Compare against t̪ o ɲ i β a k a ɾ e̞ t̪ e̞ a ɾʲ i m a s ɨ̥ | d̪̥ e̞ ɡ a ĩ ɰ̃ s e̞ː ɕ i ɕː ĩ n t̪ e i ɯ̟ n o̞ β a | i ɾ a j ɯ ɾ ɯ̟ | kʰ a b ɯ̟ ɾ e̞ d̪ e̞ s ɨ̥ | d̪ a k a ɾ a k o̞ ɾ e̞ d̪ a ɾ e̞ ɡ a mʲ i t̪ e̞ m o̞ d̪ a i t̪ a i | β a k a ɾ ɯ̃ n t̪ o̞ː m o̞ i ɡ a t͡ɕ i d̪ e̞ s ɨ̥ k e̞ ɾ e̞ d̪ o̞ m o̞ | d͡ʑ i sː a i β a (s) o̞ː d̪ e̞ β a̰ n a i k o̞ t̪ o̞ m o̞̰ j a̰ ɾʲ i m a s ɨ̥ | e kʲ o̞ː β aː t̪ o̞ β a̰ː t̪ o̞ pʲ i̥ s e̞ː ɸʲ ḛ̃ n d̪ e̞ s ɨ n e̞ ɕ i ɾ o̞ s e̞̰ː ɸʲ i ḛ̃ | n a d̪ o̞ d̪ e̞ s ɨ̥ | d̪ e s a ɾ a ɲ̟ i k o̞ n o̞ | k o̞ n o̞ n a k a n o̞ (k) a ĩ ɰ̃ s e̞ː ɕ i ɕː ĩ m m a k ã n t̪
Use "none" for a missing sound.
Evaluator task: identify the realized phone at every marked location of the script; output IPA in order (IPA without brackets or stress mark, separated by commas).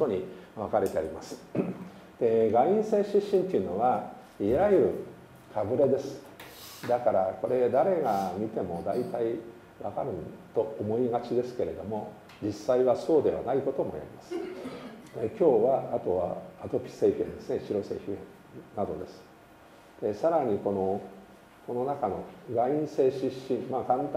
s, ɡ